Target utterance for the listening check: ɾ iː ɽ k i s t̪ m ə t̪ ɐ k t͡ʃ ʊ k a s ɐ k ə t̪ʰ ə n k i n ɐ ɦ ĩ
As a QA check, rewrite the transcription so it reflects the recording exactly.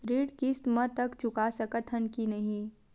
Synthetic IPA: ɾ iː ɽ k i s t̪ m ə t̪ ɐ k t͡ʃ ʊ k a s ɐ k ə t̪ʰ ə n k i n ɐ ɦ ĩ